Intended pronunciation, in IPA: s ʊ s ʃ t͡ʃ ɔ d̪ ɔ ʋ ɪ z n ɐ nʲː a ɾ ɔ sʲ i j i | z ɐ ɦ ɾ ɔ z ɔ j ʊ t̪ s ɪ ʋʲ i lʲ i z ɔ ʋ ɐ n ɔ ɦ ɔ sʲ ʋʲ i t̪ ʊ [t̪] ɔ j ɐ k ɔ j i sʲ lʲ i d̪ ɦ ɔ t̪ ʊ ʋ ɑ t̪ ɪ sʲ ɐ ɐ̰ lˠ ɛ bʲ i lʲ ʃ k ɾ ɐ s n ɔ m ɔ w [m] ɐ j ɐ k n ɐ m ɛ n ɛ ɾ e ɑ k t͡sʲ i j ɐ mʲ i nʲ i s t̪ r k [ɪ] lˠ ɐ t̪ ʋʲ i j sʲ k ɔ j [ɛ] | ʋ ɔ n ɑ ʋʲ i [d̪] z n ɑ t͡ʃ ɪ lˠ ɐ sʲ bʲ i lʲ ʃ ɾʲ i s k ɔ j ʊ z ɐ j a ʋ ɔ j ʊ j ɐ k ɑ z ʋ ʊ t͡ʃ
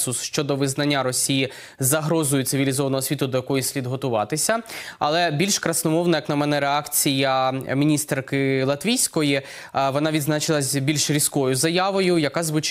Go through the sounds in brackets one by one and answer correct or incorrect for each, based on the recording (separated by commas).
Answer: incorrect, incorrect, correct, incorrect, correct